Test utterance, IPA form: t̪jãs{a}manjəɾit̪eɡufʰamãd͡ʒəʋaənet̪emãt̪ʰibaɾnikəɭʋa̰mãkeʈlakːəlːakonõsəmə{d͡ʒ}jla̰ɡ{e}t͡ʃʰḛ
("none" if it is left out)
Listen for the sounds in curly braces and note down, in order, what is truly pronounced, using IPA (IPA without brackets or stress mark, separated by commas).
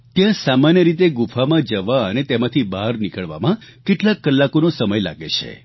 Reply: a, none, e